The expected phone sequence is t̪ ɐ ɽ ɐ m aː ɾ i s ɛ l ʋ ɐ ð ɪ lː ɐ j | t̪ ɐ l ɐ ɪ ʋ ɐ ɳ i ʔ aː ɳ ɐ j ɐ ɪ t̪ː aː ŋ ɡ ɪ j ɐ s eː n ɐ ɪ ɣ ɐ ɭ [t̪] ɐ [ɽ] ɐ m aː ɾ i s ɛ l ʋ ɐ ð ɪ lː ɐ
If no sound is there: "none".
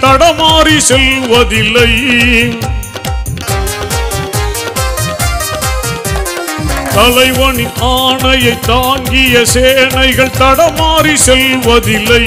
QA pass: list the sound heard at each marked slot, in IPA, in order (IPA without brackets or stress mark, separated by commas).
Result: t̪, ɽ